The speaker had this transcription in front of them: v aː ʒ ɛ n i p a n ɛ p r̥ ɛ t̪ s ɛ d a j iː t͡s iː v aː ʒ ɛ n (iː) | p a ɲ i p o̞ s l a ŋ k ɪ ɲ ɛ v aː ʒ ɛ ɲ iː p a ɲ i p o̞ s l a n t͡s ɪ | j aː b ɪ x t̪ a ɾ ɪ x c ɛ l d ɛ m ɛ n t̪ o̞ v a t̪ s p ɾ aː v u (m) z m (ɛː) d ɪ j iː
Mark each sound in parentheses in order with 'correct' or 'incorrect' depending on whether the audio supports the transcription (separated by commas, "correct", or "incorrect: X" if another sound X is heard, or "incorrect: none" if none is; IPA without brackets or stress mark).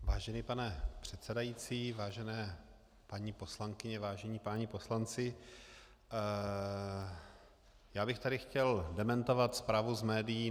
incorrect: ɛː, incorrect: none, correct